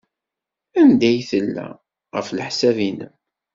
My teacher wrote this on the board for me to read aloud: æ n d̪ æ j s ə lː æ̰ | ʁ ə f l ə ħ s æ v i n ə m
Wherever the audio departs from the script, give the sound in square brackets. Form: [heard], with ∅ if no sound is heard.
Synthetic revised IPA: æ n d̪ æ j [θ] ə lː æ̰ | ʁ ə f l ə ħ s æ v i n ə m